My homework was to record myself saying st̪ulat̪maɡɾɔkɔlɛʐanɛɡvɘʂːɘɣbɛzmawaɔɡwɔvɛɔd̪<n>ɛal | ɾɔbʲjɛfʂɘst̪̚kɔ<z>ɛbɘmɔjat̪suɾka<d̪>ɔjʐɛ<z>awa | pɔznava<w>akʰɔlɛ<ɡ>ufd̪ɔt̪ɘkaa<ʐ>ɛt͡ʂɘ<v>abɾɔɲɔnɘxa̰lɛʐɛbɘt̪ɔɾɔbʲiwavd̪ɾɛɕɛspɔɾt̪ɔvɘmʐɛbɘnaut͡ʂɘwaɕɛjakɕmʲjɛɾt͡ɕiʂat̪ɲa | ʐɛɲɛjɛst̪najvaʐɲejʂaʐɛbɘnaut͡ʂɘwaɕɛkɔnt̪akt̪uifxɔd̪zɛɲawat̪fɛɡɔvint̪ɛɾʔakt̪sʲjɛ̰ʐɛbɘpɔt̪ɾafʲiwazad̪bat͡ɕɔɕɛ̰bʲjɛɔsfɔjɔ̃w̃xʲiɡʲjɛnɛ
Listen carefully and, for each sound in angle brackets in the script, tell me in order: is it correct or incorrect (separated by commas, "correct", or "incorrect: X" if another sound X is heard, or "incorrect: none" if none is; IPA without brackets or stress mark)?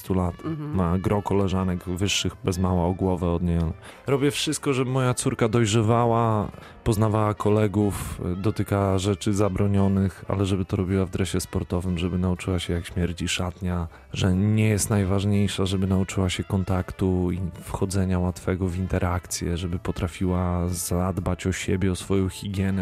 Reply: incorrect: ɲ, incorrect: ʐ, correct, incorrect: v, correct, correct, correct, incorrect: z